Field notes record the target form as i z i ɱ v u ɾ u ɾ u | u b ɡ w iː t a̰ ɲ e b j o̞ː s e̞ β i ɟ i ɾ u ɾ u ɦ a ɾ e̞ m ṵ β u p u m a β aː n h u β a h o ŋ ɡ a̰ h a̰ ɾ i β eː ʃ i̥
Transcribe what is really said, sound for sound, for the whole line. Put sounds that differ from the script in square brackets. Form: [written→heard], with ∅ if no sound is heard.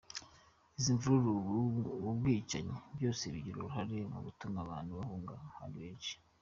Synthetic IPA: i z i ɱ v u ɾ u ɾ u | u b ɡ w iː [t→t͡ʃ] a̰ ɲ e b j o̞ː s e̞ β i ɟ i ɾ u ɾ u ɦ a ɾ e̞ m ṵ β u [p→t] u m a β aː n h u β a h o ŋ ɡ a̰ h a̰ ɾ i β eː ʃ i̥